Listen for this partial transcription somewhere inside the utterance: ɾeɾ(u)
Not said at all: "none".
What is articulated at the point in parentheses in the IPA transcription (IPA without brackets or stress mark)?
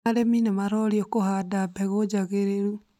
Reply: u